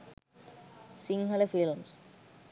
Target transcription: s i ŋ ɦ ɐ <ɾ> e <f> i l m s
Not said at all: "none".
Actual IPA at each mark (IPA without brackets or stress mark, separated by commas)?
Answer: l, f